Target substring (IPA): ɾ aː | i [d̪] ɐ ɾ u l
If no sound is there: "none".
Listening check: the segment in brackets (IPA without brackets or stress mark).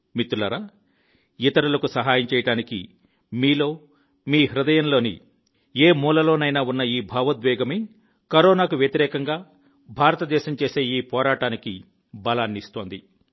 t̪